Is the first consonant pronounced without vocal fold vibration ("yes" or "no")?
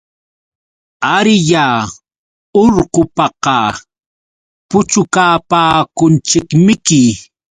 no